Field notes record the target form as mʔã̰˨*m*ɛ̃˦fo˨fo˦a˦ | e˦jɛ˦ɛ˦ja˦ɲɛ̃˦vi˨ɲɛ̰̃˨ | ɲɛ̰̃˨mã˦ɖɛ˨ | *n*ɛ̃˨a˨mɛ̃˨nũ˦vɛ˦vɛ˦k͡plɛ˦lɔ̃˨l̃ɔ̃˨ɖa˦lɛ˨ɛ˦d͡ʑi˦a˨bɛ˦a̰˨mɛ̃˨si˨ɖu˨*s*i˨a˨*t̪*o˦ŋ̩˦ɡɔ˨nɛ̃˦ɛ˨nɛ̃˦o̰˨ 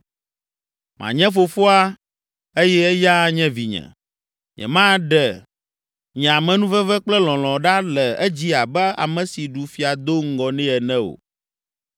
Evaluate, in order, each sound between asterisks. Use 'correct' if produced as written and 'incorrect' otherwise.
incorrect: ɲ, incorrect: ɲ, incorrect: f, incorrect: d̪

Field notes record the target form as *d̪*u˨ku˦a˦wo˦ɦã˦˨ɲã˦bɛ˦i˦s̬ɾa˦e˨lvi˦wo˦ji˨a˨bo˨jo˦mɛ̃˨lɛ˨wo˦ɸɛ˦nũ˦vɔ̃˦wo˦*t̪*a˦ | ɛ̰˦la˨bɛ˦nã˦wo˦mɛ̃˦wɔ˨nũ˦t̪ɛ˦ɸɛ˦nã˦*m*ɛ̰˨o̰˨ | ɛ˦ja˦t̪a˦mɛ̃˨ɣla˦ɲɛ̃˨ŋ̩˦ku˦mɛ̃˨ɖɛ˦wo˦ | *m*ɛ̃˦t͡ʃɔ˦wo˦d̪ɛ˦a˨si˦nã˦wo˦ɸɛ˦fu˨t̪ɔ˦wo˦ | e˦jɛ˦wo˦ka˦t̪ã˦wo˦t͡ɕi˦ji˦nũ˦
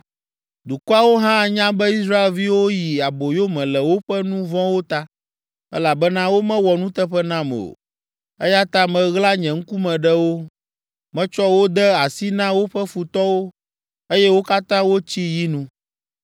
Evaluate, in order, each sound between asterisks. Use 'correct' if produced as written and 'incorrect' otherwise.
correct, correct, correct, correct

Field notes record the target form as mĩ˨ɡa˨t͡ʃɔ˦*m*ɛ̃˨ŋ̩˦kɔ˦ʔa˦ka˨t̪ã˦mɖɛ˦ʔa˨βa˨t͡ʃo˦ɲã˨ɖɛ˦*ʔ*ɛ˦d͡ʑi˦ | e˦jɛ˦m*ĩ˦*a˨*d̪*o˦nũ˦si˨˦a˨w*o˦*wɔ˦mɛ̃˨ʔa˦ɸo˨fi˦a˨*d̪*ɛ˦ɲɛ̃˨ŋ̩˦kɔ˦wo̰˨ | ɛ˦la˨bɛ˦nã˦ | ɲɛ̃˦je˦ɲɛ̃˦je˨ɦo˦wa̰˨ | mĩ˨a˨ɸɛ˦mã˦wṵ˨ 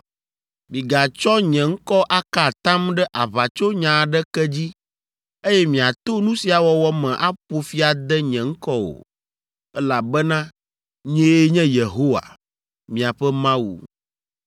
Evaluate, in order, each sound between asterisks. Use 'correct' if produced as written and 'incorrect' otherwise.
incorrect: ɲ, incorrect: k, incorrect: ĩ˨, incorrect: t̪, incorrect: ɔ˦, correct

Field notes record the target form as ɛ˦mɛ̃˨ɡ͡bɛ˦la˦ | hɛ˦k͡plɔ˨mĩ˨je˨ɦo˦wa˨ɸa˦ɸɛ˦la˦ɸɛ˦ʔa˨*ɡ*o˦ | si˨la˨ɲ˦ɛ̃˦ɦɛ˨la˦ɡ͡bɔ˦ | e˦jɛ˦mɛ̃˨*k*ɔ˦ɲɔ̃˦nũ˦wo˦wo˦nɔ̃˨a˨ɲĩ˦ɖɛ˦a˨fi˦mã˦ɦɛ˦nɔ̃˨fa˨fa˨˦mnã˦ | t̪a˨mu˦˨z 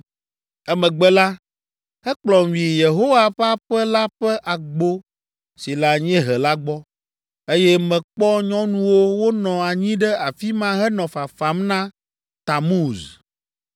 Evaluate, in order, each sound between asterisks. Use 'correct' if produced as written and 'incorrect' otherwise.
incorrect: ɡ͡b, incorrect: k͡p

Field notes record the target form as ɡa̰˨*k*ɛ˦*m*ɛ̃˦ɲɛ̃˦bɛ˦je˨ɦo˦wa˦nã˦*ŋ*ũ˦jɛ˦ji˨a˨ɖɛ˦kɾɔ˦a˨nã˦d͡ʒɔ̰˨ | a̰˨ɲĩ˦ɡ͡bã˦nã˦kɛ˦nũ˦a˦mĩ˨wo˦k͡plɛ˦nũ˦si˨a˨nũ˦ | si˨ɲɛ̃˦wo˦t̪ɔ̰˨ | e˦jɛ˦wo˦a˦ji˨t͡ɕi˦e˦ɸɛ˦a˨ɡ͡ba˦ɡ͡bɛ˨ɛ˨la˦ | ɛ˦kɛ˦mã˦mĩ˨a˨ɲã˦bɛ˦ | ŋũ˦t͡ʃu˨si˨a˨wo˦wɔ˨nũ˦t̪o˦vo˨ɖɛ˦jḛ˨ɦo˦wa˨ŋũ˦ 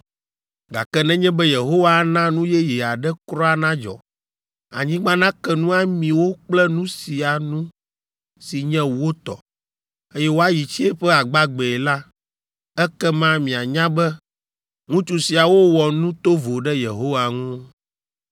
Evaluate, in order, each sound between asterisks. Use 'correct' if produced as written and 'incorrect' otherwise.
correct, incorrect: n, incorrect: n

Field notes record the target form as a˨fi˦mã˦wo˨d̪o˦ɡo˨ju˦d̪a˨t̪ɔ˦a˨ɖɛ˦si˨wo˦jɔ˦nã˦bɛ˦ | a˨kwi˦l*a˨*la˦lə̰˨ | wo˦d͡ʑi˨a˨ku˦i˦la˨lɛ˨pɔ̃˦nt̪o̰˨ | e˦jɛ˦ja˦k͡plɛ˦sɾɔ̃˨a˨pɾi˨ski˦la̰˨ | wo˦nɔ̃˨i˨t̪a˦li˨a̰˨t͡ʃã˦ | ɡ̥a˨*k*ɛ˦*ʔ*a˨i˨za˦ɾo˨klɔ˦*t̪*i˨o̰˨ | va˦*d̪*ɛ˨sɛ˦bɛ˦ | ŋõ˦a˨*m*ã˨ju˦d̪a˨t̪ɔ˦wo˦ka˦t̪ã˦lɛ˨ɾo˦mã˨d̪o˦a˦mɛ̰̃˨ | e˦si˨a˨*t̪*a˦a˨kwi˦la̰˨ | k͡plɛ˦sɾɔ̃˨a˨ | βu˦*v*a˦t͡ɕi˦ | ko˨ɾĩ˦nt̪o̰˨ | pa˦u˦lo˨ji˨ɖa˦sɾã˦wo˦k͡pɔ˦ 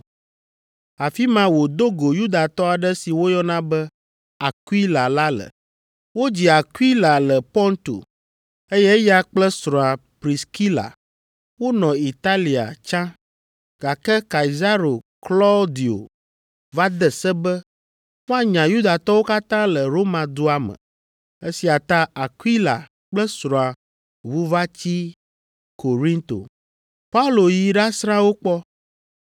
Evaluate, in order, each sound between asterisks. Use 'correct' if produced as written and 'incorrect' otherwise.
correct, correct, incorrect: k, incorrect: d̪, correct, incorrect: ɲ, correct, correct

